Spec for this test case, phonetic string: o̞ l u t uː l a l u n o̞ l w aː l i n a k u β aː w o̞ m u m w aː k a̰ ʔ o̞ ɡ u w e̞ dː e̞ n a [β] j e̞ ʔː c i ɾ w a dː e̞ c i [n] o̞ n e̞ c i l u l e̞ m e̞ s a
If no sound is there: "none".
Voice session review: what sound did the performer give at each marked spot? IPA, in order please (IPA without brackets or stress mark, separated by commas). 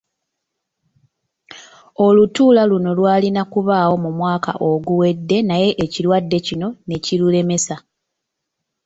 none, n